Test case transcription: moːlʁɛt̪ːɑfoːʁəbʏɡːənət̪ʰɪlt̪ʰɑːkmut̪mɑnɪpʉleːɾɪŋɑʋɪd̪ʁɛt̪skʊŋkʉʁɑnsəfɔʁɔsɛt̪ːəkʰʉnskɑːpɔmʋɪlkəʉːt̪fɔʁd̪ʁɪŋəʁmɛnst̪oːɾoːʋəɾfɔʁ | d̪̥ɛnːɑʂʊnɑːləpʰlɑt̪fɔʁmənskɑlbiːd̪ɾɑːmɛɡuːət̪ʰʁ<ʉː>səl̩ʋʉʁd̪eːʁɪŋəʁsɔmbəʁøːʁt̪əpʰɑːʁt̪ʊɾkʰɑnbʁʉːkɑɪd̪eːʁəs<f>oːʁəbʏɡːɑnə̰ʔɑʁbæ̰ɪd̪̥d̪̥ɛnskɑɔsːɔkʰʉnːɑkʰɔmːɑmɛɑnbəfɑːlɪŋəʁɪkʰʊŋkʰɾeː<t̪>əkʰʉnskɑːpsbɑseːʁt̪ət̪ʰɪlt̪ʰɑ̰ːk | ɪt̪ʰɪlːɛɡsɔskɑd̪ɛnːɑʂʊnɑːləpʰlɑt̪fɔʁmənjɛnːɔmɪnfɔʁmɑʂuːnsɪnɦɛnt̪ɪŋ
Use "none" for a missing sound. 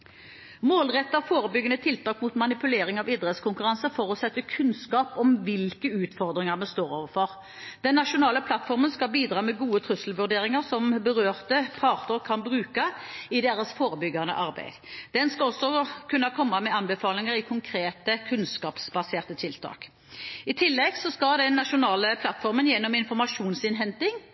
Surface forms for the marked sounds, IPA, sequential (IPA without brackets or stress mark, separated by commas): ʉ, f, t̪